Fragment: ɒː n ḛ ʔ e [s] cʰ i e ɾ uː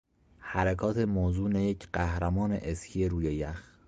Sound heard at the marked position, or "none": s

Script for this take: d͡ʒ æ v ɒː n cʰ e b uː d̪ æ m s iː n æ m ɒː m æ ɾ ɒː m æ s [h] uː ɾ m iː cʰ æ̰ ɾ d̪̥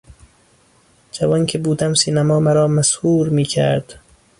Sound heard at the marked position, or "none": h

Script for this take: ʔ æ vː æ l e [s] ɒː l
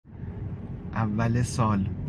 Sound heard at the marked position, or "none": s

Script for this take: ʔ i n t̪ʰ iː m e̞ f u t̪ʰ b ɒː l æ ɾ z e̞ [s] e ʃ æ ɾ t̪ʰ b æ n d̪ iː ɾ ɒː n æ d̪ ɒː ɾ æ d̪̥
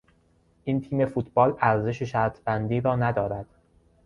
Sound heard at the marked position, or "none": ʃ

